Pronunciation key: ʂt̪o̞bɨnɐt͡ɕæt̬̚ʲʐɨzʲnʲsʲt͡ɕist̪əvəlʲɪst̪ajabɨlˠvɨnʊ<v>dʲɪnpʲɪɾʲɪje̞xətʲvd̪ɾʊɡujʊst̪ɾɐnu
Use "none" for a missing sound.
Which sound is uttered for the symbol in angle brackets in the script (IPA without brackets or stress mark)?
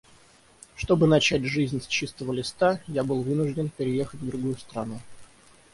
ʐ